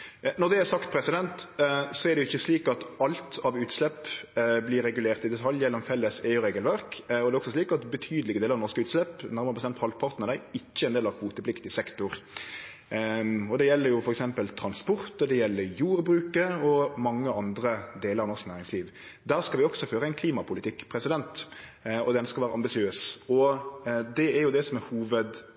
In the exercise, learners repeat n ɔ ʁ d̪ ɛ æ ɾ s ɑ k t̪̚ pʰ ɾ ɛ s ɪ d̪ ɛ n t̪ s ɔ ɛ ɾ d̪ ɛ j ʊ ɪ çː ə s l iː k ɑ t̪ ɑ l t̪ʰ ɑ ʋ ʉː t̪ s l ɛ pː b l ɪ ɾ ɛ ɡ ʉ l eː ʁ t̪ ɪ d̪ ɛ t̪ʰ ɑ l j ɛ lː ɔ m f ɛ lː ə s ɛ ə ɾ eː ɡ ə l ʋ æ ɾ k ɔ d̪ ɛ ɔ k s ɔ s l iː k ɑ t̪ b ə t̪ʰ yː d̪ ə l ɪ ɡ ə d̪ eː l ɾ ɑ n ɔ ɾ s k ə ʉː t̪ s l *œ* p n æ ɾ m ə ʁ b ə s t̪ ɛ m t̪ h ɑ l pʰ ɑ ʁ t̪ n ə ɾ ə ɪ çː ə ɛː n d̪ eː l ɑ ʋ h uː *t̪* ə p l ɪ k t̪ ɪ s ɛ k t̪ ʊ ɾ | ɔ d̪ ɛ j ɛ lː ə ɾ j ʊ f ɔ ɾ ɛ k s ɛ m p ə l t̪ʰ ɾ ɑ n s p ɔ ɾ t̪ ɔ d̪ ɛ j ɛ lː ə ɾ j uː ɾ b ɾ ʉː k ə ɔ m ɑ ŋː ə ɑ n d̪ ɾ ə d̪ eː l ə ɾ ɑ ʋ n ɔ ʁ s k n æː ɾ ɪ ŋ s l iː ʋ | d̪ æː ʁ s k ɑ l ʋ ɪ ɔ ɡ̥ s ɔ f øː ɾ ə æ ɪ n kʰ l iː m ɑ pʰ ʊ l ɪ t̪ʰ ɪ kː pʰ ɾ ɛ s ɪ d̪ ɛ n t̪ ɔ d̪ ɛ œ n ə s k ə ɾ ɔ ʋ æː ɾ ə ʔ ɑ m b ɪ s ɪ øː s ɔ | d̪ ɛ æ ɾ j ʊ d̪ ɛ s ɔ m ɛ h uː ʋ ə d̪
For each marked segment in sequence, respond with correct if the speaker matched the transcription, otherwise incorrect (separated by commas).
incorrect, correct